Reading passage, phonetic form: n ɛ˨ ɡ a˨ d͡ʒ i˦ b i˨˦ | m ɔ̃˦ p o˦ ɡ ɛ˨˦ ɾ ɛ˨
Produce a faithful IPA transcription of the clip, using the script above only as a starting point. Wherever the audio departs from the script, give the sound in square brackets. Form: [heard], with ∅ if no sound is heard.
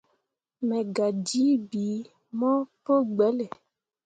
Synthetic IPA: [m] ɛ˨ ɡ a˨ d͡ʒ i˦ b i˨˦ | m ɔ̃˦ p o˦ [ɡ͡b] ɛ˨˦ [l] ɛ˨